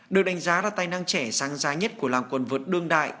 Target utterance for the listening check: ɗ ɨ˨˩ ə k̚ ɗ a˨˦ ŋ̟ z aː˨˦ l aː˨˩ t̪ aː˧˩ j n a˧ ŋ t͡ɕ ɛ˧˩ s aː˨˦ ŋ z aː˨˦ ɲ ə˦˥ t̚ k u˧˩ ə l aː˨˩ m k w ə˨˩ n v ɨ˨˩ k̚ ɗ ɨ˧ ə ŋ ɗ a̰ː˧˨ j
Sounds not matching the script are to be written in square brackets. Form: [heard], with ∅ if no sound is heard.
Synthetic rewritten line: ɗ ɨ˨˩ ə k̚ ɗ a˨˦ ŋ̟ z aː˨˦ l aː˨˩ t̪ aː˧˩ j n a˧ ŋ t͡ɕ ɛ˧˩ s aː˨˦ ŋ z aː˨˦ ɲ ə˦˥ t̚ k u˧˩ ə l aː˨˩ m k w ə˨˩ n v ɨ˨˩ [t̚] ɗ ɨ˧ ə ŋ ɗ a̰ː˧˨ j